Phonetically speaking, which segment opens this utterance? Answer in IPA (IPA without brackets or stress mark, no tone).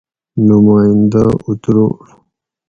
n